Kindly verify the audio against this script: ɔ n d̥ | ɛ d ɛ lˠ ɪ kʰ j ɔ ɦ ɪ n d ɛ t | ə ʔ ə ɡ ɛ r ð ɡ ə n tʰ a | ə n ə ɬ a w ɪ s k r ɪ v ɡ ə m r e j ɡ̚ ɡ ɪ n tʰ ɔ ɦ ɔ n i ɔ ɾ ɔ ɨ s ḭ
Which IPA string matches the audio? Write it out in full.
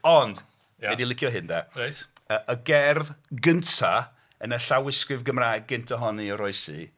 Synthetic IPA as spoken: ɔ n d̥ | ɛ d i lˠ ɪ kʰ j ɔ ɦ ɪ n d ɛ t | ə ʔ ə ɡ ɛ r ð ɡ ə n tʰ a | ə n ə ɬ a w ɪ s k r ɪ v ɡ ə m r a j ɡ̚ ɡ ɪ n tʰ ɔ ɦ ɔ n i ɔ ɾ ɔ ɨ s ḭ

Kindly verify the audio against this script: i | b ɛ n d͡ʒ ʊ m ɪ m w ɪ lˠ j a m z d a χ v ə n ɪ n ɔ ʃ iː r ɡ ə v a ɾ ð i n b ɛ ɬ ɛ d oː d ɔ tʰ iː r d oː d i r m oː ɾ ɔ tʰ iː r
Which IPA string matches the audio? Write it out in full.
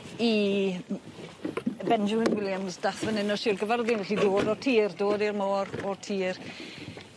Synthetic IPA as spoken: i | b ɛ n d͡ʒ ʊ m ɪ n w ɪ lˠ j a m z d a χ v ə n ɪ n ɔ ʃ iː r ɡ ə v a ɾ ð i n v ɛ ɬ i d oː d ɔ tʰ iː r d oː d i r m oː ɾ ɔ tʰ iː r

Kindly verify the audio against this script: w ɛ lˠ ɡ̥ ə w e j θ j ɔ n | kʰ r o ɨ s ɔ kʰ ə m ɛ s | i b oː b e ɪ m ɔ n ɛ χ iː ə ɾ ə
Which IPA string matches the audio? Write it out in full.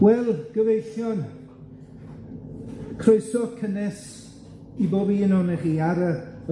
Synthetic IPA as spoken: w ɛ lˠ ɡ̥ ə v e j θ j ɔ n | kʰ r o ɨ s ɔ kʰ ə n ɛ s | i b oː b i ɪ n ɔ n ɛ χ iː a ɾ ə

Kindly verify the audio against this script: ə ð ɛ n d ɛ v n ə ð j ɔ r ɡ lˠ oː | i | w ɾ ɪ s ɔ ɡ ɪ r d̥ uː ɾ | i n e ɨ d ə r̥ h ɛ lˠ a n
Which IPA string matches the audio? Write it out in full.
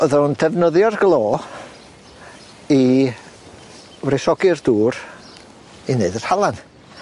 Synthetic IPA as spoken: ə ð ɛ n d ɛ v n ə ð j ɔ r ɡ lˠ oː | i | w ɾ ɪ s ɔ ɡ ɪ r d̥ uː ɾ | i n e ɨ d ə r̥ h a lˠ a n

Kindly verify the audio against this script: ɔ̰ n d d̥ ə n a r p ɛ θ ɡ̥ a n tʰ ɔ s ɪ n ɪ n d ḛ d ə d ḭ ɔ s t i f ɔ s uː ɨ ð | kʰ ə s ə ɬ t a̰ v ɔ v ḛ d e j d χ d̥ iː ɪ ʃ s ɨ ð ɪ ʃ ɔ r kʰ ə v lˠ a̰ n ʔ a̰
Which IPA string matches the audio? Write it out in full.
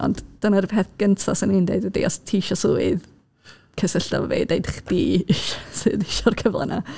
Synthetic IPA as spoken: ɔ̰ n d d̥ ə n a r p ɛ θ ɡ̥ ə n tʰ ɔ s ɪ n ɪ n d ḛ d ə d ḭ ɔ s tʰ i ʃ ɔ s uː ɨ ð | kʰ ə s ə ɬ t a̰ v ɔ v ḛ d e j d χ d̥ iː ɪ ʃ s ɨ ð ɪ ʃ ɔ r kʰ ə v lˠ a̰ n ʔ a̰

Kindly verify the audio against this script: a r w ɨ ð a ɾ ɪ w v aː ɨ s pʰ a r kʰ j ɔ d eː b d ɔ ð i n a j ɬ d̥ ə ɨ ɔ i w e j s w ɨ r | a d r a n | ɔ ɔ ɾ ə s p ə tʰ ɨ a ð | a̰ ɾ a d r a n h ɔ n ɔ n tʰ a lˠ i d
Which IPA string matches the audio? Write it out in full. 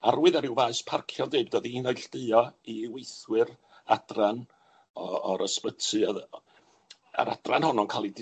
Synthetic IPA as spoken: a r w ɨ ð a ɾ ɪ w v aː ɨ s pʰ a r kʰ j ɔ d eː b d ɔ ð i n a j ɬ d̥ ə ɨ ɔ i w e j θ w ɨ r | a d r a n | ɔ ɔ ɾ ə s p ə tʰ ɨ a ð | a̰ ɾ a d r a n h ɔ n ɔ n kʰ a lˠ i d

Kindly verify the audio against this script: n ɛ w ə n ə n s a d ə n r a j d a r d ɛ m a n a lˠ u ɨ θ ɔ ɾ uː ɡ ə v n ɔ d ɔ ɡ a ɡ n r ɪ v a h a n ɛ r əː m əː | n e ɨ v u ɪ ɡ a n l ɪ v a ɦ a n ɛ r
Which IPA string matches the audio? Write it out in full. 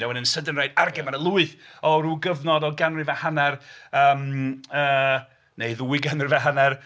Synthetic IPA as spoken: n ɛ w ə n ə n s ə d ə n r a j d a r ɡ ɛ m a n ə lˠ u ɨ θ ɔ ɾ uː ɡ ə v n ɔ d ɔ ɡ a n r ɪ v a h a n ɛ r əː m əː | n e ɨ ð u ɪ ɡ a n r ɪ v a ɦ a n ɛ r

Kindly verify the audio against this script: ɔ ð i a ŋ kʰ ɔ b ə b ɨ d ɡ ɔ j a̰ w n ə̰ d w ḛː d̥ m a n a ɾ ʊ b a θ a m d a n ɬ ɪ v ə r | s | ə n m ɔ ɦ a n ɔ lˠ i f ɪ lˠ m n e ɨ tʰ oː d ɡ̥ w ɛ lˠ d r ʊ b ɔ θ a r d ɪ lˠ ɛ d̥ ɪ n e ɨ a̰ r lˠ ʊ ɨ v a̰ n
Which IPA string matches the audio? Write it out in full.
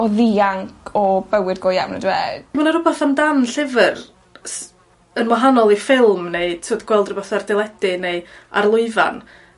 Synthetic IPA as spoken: ɔ ð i a ŋ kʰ ɔ b ə w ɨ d ɡ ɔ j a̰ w n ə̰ d w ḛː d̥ m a n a ɾ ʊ b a θ a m d a n ɬ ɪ v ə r | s | ə n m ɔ ɦ a n ɔ lˠ i f ɪ lˠ m n e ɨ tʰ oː d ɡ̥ w ɛ lˠ d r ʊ b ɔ θ a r d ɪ lˠ ɛ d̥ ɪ n e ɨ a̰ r lˠ ʊ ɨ v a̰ n

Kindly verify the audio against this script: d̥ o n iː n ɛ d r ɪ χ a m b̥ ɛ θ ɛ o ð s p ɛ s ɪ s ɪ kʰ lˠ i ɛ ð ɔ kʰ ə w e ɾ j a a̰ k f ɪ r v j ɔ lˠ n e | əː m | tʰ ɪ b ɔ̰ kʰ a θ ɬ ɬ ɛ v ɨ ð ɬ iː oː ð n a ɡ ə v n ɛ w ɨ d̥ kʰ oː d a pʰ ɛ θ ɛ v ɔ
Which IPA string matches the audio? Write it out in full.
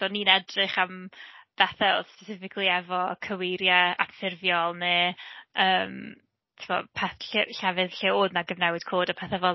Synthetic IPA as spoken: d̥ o n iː n ɛ d r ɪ χ a m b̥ ɛ θ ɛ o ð s p ɛ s ɪ f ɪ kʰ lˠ i ɛ v ɔ kʰ ə w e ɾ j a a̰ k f ɪ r v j ɔ lˠ n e | əː m | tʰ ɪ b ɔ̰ pʰ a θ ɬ ɬ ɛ v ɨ ð ɬ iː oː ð n a ɡ ə v n ɛ w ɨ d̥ kʰ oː d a pʰ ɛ θ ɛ v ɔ

